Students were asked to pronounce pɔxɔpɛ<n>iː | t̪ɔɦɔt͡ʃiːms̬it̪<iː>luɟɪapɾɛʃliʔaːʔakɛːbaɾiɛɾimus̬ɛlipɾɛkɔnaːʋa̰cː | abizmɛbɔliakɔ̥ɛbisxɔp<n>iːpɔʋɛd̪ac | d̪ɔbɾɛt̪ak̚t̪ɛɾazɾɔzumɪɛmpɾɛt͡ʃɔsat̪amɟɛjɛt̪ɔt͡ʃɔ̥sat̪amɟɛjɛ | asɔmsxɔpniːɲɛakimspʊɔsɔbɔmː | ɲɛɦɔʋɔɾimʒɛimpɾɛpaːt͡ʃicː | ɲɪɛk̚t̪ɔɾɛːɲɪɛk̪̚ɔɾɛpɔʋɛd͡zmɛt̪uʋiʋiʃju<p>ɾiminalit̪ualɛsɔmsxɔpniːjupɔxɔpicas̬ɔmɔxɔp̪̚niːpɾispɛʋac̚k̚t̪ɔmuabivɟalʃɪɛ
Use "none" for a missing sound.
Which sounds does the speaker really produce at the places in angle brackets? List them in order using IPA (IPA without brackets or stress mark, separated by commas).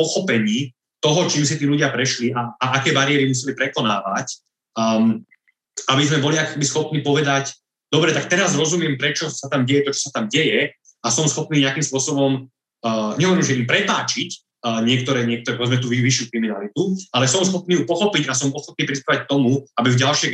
ɲ, iː, n, k